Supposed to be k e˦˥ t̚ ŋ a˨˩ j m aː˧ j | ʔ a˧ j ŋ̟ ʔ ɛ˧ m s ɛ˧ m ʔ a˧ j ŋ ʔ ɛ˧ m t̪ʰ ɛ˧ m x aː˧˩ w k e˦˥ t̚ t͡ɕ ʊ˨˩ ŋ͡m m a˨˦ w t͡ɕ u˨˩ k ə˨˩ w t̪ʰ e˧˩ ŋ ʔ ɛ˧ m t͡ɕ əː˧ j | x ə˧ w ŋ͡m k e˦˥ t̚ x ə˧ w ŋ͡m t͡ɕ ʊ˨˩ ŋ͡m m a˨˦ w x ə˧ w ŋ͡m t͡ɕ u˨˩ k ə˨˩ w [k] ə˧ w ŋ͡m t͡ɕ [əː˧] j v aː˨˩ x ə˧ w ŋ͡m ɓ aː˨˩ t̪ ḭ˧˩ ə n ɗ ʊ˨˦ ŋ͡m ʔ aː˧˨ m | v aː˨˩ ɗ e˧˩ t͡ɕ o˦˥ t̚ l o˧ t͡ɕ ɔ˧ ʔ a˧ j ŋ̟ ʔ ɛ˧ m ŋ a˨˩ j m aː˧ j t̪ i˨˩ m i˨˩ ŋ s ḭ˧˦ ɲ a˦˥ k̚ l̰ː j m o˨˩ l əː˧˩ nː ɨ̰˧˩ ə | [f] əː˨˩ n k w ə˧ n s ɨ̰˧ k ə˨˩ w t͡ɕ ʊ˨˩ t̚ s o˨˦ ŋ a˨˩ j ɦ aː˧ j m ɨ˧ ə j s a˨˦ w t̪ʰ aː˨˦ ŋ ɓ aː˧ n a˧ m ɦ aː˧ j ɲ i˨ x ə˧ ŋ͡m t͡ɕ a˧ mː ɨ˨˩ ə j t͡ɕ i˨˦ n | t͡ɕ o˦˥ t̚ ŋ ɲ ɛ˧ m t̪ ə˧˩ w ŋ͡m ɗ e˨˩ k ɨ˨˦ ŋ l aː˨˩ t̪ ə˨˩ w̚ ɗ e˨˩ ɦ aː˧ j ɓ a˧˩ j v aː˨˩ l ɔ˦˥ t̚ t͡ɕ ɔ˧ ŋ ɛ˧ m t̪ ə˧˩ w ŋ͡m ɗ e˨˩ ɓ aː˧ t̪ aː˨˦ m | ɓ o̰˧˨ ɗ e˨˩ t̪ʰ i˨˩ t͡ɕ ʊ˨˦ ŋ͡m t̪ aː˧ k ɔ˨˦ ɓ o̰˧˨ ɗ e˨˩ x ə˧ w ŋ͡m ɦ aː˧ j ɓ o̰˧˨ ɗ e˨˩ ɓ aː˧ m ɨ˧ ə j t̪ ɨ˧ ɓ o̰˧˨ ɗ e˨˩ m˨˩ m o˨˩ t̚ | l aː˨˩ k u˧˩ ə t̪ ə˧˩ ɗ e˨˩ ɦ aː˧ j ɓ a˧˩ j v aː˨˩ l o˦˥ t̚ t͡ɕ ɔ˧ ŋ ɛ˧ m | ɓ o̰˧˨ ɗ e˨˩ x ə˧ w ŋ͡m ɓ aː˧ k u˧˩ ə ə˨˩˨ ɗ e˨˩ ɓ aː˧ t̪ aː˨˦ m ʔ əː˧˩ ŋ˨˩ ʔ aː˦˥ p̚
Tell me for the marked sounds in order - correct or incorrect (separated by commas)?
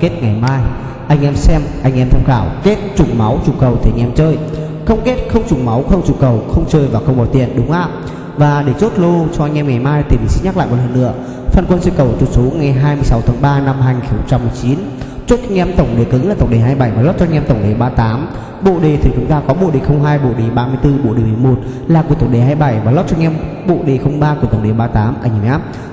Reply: incorrect, correct, correct